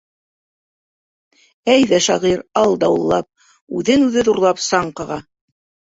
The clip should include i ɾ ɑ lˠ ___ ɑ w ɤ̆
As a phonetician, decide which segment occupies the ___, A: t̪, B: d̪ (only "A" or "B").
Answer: B